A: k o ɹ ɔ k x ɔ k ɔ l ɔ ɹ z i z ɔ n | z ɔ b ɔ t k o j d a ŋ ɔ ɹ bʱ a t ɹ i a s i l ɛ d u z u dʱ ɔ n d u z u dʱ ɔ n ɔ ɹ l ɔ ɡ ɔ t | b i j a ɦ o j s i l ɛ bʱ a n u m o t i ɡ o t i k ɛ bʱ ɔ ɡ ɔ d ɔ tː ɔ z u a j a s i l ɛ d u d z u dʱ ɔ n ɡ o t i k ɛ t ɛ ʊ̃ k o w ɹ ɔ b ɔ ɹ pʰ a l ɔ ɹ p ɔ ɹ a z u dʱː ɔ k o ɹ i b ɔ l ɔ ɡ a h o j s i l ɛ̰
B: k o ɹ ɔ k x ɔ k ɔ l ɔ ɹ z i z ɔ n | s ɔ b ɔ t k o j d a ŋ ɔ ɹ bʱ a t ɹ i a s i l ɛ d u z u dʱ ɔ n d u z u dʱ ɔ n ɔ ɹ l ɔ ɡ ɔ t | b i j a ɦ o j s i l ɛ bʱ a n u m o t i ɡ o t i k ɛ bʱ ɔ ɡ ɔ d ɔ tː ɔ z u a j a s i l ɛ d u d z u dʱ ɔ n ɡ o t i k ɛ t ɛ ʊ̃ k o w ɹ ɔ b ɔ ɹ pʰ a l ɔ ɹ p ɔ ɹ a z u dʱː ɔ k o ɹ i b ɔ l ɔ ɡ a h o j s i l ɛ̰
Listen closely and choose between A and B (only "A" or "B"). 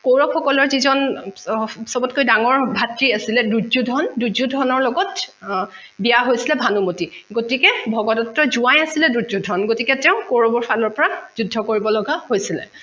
B